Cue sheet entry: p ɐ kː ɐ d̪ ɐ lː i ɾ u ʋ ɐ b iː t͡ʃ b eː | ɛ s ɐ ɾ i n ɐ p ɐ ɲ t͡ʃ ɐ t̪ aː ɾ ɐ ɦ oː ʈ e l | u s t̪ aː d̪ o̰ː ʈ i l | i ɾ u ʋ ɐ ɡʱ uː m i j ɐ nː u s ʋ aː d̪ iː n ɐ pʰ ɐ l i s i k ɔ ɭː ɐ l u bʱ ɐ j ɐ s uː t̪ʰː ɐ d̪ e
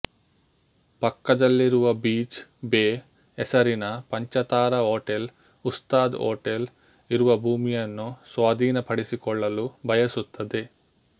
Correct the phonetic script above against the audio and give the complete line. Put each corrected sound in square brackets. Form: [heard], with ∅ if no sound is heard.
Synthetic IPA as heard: p ɐ kː ɐ d̪ ɐ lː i ɾ u ʋ ɐ b iː t͡ʃ b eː | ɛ s ɐ ɾ i n ɐ p ɐ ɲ t͡ʃ ɐ t̪ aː ɾ ɐ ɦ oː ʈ e l | u s t̪ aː d̪ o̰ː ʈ [e] l | i ɾ u ʋ ɐ [bʱ] uː m i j ɐ nː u s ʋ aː d̪ iː n ɐ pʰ ɐ [ɽ] i s i k ɔ ɭː ɐ l u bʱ ɐ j ɐ s [u] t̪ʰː ɐ d̪ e

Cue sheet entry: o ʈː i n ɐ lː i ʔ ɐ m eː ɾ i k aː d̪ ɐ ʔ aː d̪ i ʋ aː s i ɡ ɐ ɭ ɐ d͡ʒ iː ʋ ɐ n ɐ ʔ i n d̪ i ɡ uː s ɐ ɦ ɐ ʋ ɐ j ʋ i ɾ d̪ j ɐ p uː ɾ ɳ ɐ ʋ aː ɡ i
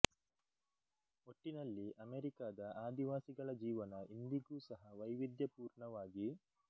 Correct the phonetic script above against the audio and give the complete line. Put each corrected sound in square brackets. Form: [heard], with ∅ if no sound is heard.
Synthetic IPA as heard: o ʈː i n ɐ lː i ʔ ɐ m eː ɾ i k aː d̪ ɐ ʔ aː d̪ i ʋ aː s i ɡ ɐ ɭ ɐ d͡ʒ iː ʋ ɐ n ɐ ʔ i n d̪ i ɡ uː s ɐ ɦ ɐ ʋ ɐ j ʋ i [∅] d̪ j ɐ p uː ɾ ɳ ɐ ʋ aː ɡ i

